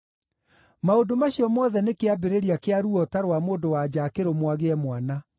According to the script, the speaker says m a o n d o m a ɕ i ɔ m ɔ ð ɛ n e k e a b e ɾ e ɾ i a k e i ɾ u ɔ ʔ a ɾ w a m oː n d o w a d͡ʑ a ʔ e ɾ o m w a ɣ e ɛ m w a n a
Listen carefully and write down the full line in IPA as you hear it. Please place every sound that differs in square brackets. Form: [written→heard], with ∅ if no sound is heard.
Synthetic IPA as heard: m a o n d o m a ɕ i ɔ m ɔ ð ɛ n e k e a b e ɾ e ɾ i a k e [i→a] ɾ u ɔ [ʔ→t] a ɾ w a m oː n d o w a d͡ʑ a [ʔ→k] e ɾ o m w a ɣ e ɛ m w a n a